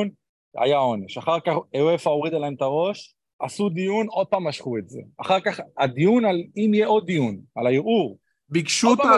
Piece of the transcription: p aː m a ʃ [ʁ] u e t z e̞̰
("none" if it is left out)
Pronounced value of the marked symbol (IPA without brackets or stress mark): χ